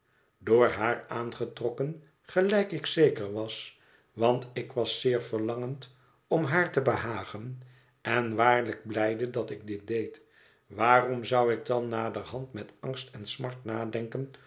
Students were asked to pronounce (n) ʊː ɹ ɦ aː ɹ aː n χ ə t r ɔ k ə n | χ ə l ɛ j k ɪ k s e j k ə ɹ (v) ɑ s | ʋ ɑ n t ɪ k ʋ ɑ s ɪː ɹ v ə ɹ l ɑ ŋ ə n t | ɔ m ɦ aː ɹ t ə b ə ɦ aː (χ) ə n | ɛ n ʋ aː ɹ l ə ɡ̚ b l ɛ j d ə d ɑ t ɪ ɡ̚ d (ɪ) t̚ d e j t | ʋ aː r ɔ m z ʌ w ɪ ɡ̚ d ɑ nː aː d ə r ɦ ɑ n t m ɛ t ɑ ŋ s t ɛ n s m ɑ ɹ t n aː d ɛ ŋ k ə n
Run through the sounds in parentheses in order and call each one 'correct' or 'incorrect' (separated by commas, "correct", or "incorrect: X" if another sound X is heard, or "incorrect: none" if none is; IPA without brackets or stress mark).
incorrect: d, incorrect: ʋ, correct, correct